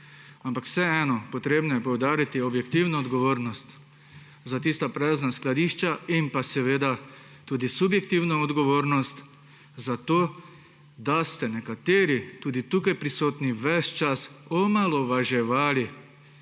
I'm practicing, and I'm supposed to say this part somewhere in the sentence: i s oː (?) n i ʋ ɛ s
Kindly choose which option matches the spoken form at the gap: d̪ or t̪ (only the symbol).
t̪